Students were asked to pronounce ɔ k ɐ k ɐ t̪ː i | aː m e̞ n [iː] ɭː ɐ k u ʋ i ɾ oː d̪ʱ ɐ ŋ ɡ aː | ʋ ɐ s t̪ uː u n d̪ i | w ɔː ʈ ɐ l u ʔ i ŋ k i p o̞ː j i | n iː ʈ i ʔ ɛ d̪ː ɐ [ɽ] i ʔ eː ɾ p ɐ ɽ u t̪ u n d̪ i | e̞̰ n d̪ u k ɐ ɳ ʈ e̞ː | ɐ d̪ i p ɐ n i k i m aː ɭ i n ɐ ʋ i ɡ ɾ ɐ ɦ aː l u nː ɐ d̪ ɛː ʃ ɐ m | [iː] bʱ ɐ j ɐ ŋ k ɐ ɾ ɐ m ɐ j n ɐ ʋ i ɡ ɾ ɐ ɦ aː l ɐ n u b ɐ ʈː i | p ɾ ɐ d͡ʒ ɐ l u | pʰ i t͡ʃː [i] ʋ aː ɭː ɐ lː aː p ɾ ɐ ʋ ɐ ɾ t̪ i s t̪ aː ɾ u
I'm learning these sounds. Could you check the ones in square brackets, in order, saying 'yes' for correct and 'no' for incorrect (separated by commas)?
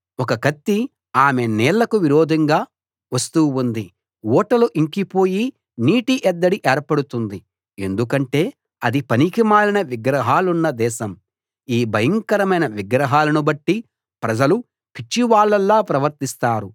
no, yes, yes, yes